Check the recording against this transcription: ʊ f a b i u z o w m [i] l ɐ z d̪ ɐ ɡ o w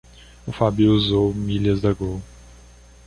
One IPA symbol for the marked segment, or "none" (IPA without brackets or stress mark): i